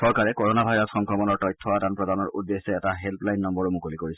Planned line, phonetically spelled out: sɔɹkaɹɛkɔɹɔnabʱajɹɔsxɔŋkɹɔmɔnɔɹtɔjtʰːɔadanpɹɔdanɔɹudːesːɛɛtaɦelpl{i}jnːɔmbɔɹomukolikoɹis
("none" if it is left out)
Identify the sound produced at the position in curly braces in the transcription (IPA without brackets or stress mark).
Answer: a